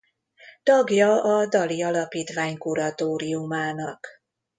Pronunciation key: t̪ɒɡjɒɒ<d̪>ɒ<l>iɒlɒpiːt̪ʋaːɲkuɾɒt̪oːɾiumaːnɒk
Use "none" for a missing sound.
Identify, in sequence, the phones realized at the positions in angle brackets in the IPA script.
d̪, l

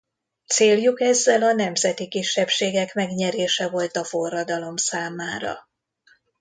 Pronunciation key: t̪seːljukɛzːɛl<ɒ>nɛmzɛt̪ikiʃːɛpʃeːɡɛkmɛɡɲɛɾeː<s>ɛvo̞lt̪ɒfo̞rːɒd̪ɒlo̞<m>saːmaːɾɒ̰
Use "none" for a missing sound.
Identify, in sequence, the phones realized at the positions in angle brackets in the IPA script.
ɒ, ʃ, m

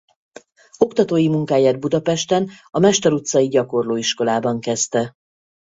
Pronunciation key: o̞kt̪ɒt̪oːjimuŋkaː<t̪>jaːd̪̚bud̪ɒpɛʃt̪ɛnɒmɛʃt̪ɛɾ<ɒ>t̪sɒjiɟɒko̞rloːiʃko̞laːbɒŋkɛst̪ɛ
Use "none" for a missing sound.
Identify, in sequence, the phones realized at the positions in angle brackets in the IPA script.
none, u

